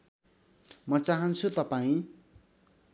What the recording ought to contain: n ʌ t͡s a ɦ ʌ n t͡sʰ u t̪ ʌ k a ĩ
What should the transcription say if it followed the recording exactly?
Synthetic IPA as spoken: m ʌ t͡s a ɦ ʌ n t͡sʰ u t̪ ʌ p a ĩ

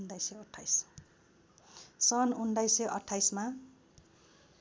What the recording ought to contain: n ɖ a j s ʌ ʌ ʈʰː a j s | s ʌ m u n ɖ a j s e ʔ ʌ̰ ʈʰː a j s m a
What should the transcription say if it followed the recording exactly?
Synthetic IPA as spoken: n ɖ a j s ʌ ʌ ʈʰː a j s | s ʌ n u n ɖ a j s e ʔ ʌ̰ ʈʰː a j s m a

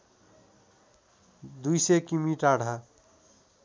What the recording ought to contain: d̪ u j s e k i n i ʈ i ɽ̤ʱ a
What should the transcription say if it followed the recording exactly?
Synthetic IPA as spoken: d̪ u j s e k i m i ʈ a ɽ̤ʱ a

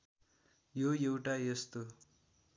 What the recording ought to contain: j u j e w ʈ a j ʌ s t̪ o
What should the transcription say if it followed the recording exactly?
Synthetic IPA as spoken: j o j e w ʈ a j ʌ s t̪ o

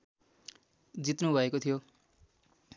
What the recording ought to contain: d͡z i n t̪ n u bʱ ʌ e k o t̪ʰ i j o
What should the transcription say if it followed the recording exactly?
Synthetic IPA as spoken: d͡z i t̪ n u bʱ ʌ e k o t̪ʰ i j o

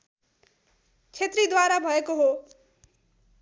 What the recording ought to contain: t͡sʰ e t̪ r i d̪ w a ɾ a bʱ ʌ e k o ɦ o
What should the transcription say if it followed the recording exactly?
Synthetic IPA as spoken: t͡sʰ e t̪ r i d̪ w a ɾ a bʱ ʌ e k o ɦ o

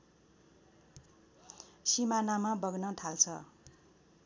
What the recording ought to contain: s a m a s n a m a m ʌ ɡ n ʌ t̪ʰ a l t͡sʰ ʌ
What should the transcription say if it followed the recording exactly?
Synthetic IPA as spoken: s i m a n a m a b ʌ ɡ n ʌ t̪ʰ a l t͡sʰ ʌ

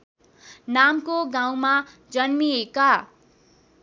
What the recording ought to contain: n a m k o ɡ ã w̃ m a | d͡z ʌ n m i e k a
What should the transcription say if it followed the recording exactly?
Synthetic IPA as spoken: n a m k o ɡ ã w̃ m a | d͡z ʌ n m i e k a

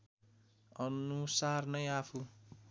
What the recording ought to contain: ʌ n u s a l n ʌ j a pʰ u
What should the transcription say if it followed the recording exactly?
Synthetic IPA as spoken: ʌ n u s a r n ʌ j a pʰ u

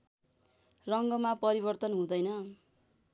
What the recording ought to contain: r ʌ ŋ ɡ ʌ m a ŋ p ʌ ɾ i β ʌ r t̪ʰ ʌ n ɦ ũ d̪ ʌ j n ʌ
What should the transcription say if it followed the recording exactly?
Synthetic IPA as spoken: r ʌ ŋ ɡ ʌ m a p ʌ ɾ i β ʌ r t̪ ʌ n ɦ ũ d̪ ʌ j n ʌ

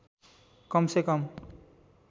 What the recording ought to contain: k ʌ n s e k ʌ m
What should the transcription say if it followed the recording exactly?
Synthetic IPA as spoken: k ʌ m s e k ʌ m

